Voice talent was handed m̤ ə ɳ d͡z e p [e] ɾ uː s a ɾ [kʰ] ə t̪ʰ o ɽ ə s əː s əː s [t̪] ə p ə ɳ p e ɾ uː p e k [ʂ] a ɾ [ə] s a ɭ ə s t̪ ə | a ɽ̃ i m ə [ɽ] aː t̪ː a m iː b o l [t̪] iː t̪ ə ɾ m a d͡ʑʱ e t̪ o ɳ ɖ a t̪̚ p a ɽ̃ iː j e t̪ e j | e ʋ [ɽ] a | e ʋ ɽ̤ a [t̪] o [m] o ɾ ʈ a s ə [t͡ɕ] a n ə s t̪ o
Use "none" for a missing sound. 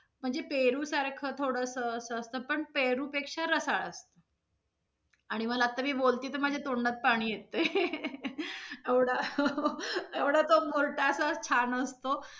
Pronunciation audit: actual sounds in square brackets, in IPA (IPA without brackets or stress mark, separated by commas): e, kʰ, t̪, ʂ, ə, l, t̪, ɽ, t̪, m, t͡ɕʰ